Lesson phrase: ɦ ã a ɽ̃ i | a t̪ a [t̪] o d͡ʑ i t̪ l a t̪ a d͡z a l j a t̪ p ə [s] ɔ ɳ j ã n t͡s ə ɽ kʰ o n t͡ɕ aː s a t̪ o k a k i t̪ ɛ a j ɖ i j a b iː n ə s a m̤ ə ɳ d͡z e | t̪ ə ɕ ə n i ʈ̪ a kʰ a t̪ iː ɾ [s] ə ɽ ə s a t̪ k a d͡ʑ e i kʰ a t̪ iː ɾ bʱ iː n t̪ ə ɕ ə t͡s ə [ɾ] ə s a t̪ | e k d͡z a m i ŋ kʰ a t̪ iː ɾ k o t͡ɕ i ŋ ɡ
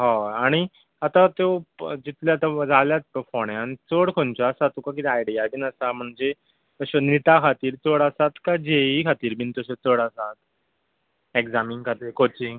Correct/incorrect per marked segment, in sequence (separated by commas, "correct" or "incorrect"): correct, incorrect, incorrect, incorrect